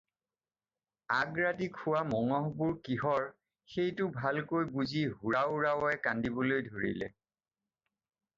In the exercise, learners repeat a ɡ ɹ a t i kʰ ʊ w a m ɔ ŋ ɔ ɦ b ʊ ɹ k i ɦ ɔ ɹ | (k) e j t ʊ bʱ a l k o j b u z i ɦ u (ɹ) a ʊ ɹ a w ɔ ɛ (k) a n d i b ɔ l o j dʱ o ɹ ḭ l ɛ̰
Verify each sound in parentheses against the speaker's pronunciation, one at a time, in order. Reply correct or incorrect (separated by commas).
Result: incorrect, correct, correct